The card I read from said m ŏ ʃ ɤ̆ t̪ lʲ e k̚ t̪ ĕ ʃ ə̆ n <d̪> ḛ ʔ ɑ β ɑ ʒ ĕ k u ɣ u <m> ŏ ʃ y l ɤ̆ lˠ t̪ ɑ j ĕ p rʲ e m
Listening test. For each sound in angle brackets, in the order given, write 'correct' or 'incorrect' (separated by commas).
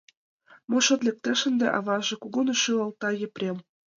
correct, incorrect